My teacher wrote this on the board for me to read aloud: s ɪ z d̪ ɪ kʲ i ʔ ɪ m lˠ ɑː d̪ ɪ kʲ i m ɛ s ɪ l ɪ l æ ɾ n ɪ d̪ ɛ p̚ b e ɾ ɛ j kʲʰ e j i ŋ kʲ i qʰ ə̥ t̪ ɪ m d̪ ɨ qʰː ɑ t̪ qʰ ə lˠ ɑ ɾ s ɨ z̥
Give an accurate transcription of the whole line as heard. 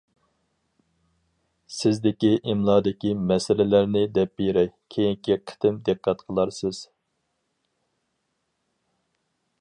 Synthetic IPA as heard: s ɪ z d̪ ɪ kʲ i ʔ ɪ m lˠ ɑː d̪ ɪ kʲ i m ɛ s ɪ l ɪ l æ ɾ n ɪ d̪ ɛ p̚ b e ɾ ɛ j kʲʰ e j i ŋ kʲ i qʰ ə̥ t̪ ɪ m d̪ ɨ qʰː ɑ t̪ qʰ ə lˠ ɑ ɾ s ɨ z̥